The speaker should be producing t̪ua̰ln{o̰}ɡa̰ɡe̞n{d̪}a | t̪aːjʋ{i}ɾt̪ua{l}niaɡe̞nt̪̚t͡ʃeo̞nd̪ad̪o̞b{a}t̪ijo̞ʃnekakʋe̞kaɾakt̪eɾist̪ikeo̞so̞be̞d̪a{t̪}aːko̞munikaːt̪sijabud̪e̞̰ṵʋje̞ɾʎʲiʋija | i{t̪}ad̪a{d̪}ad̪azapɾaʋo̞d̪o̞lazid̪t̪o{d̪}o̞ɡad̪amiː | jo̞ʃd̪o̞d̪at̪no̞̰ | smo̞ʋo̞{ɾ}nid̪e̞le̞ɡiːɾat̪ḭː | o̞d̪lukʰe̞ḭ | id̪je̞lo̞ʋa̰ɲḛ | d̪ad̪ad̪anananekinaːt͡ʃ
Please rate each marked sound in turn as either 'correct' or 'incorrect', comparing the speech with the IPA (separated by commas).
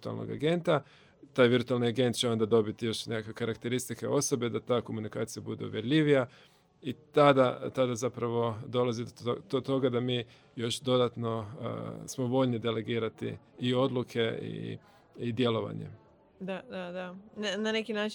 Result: correct, incorrect, correct, correct, incorrect, correct, correct, incorrect, incorrect, incorrect